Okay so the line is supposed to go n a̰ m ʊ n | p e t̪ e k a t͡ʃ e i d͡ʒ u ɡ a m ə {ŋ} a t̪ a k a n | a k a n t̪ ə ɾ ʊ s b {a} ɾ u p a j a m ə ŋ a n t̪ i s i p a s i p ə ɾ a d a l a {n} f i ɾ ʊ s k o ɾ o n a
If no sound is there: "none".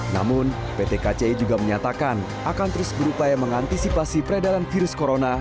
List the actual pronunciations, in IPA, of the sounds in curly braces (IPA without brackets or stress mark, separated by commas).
ɲ, ə, n